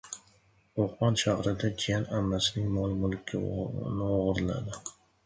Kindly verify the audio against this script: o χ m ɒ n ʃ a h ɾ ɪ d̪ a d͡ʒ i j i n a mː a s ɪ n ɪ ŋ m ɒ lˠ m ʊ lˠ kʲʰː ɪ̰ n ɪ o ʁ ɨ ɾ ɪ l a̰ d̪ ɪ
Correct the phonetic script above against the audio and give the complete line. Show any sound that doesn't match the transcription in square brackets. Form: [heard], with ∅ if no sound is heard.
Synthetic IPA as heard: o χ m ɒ n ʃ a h ɾ ɪ d̪ a d͡ʒ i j [a] n a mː a s ɪ n ɪ ŋ m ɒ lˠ m ʊ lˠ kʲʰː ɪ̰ n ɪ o ʁ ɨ ɾ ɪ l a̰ d̪ ɪ